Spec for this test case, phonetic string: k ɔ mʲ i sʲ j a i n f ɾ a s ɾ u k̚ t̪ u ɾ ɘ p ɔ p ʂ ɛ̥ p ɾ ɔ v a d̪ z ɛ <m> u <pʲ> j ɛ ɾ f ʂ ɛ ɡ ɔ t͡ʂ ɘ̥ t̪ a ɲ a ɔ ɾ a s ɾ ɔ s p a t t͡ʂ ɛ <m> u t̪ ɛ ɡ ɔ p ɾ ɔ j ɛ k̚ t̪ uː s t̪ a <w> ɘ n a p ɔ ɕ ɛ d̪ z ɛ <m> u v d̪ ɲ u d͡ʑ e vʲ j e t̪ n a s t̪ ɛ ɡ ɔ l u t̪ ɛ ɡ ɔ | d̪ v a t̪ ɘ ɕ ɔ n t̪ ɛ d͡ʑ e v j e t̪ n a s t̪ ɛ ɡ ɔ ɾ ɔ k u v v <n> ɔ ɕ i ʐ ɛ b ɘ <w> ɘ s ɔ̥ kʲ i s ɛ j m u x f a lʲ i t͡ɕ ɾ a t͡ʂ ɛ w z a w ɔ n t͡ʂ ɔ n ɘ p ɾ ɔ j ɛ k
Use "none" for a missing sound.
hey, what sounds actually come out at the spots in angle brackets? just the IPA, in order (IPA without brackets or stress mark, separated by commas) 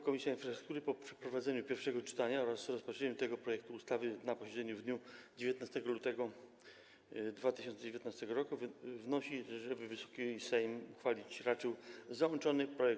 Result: ɲ, pʲ, ɲ, v, ɲ, n, v